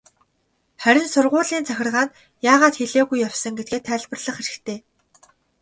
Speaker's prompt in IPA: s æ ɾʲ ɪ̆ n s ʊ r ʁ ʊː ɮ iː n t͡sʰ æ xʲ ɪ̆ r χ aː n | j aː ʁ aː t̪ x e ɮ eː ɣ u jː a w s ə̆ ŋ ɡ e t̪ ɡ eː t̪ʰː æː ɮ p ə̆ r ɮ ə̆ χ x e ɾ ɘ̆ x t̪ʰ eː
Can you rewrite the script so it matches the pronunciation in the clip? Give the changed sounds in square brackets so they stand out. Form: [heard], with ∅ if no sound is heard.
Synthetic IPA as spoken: [χ] æ ɾʲ ɪ̆ n s ʊ r ʁ ʊː ɮ iː n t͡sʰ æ xʲ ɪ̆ r [ʁ] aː n | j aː ʁ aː t̪ x e ɮ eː ɣ u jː a w s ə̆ ŋ ɡ e t̪ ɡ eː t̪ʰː æː ɮ p ə̆ r ɮ ə̆ χ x e ɾ ɘ̆ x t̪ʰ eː